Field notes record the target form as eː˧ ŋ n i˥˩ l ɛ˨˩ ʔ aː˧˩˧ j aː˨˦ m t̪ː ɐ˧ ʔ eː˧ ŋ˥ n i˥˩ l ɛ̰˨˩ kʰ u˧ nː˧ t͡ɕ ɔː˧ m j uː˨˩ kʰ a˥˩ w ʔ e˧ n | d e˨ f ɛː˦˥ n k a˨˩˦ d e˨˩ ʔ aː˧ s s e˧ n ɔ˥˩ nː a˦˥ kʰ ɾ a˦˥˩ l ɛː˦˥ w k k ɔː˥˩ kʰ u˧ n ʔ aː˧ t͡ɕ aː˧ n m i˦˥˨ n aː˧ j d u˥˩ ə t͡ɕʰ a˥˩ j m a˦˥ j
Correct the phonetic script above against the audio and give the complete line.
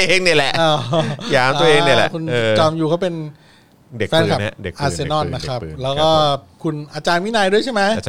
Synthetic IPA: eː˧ ŋ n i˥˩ l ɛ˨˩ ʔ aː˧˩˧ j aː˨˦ m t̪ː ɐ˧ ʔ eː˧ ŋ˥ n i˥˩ l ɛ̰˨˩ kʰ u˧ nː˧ t͡ɕ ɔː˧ m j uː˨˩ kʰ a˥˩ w p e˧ n | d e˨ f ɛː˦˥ n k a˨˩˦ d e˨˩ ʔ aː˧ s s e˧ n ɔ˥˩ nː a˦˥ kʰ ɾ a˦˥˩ l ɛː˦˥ w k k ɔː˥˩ kʰ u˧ n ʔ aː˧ t͡ɕ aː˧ n m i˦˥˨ n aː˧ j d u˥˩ ə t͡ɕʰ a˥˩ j m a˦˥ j